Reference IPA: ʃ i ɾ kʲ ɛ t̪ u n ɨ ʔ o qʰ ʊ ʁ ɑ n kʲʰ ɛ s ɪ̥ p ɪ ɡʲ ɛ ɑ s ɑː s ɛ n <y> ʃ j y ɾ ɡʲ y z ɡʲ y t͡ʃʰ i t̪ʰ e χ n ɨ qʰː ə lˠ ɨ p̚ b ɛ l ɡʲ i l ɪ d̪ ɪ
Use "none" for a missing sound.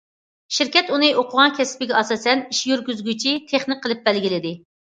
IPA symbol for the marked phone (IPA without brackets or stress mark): i